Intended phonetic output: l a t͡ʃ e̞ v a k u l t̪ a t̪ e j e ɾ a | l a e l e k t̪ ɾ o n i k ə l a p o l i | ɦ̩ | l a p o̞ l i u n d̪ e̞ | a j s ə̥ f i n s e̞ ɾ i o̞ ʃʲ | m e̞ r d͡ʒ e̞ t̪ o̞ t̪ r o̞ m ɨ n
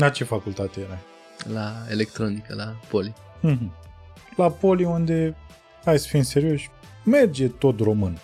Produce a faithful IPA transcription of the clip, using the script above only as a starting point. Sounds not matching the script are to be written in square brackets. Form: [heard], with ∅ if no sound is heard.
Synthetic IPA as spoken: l a t͡ʃ e̞ [f] a k u l t̪ a t̪ e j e ɾ a | l a e l e k t̪ ɾ o n i k ə l a p o l i | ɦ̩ | l a p o̞ l i u n d̪ e̞ | a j s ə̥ f i n s e̞ ɾ i o̞ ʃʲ | m e̞ r d͡ʒ e̞ t̪ o̞ t̪ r o̞ m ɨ n